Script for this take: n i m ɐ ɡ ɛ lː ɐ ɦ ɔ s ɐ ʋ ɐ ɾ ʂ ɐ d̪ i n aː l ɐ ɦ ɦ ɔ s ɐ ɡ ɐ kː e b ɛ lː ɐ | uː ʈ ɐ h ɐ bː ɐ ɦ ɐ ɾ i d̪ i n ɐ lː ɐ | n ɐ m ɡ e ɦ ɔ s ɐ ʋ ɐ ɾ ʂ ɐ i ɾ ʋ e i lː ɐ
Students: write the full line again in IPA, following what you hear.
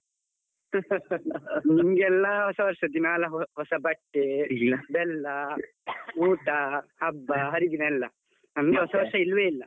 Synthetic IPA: n i m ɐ ɡ ɛ lː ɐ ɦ ɔ s ɐ ʋ ɐ ɾ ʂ ɐ d̪ i n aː l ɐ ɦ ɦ ɔ s ɐ b ɐ ʈː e b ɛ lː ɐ | uː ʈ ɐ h ɐ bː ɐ ɦ ɐ ɾ i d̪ i n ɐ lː ɐ | n ɐ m ɡ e ɦ ɔ s ɐ ʋ ɐ ɾ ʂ ɐ i l ʋ e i lː ɐ